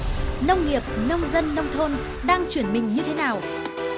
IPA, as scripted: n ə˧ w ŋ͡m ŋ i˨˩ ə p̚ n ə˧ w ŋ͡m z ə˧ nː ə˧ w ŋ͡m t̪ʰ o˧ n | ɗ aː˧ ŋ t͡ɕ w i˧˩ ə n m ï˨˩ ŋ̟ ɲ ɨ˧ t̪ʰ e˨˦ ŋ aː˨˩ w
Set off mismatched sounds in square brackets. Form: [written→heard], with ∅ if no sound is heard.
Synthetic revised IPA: n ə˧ w ŋ͡m ŋ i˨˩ ə p̚ n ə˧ w ŋ͡m z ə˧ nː ə˧ w ŋ͡m t̪ʰ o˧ n | ɗ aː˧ ŋ t͡ɕ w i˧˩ ə n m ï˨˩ ŋ̟ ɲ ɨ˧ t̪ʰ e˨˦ [ŋ→n] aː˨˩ w